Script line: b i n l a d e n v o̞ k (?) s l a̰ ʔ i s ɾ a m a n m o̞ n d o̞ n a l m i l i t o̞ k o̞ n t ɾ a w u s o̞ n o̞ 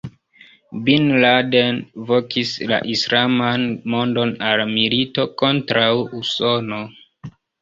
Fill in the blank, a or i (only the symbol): i